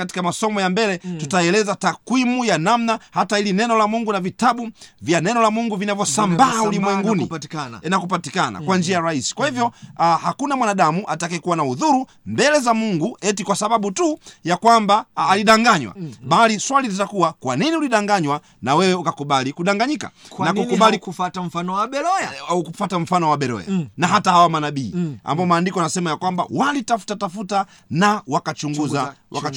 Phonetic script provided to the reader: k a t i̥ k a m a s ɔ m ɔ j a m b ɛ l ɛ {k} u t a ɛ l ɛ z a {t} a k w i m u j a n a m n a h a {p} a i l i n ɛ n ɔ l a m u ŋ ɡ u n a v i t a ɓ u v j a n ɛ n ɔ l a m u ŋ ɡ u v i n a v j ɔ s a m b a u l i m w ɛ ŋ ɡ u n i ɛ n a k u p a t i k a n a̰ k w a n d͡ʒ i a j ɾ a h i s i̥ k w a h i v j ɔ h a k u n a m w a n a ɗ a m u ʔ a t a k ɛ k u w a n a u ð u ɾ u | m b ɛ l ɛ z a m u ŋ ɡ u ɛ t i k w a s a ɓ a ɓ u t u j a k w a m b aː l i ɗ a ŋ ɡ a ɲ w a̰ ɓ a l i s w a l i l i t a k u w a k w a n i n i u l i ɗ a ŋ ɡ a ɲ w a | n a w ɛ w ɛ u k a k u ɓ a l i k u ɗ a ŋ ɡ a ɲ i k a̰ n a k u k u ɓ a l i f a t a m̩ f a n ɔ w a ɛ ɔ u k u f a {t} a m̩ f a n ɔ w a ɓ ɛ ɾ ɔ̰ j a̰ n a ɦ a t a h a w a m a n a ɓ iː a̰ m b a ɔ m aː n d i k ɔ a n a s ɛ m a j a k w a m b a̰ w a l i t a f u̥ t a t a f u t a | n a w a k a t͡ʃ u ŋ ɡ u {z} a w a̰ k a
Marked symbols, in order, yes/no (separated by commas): no, yes, no, yes, yes